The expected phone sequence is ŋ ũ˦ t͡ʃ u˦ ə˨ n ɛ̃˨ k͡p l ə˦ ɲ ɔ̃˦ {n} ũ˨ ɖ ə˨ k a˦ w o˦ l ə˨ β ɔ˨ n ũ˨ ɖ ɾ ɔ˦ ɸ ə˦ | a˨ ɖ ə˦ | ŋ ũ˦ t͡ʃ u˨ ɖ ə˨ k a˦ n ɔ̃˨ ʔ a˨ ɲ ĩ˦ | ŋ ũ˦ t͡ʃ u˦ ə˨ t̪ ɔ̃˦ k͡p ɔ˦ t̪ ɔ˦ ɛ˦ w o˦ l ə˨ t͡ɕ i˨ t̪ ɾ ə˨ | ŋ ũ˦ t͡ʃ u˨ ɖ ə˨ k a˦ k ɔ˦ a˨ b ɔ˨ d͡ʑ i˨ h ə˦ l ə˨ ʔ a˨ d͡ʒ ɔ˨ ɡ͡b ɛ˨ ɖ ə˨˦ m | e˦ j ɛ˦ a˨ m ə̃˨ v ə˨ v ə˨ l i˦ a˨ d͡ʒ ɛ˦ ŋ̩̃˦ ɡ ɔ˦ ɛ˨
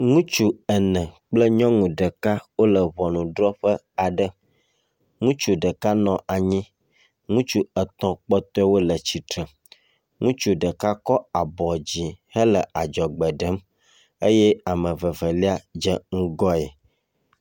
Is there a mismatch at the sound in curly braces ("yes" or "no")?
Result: yes